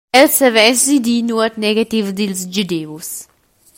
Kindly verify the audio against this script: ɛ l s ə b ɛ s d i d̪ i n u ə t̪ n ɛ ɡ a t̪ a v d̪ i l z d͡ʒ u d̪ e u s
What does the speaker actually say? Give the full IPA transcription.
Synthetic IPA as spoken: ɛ l s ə v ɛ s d i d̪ i n u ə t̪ n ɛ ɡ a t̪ i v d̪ i l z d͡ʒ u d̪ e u s